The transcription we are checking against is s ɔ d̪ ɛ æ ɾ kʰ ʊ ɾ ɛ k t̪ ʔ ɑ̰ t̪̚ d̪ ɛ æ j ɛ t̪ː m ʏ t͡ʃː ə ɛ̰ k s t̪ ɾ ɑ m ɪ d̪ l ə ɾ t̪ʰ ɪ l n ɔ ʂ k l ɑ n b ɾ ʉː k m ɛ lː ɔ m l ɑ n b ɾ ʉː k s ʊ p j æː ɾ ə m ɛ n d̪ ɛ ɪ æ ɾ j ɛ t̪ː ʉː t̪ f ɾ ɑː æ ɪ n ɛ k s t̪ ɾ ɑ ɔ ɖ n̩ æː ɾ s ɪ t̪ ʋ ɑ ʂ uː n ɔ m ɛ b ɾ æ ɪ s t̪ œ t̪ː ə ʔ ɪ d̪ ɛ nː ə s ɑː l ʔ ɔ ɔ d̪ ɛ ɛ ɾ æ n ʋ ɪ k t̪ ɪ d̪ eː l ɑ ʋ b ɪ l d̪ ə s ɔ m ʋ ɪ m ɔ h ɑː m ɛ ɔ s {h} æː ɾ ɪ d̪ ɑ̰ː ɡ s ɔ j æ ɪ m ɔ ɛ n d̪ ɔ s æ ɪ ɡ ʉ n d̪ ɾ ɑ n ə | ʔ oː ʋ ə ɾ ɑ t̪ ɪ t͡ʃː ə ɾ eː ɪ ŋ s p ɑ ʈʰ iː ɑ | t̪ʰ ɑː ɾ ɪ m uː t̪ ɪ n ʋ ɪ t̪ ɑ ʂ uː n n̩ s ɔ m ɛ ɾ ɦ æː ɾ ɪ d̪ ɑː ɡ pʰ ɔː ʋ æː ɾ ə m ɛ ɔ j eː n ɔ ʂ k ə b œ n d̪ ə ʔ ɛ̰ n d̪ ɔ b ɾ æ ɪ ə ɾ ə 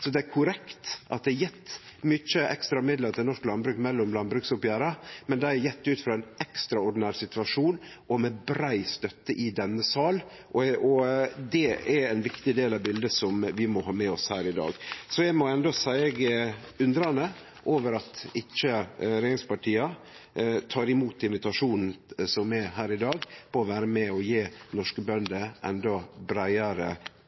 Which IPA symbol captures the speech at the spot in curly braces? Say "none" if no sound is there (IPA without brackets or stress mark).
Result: h